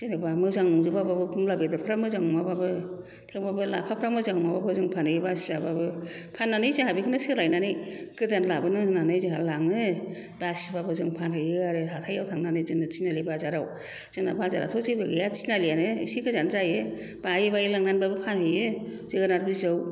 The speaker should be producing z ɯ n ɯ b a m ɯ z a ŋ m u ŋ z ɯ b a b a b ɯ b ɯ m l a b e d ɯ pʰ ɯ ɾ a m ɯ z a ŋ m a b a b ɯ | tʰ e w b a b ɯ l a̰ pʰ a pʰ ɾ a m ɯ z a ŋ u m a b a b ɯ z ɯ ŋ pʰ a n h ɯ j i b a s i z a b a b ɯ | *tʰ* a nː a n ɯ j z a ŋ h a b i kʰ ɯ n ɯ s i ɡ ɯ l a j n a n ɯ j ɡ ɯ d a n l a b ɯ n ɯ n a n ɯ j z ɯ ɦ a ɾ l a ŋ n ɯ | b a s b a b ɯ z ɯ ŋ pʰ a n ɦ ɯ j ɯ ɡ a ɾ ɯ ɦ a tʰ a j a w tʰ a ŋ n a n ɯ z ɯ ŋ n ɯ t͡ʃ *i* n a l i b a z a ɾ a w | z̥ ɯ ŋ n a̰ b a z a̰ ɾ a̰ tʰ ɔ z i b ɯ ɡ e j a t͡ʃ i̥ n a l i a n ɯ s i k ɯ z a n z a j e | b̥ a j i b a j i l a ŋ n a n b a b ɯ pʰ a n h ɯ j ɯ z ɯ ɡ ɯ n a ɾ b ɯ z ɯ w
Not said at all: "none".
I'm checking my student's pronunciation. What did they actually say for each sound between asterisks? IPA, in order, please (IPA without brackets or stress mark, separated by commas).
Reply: pʰ, i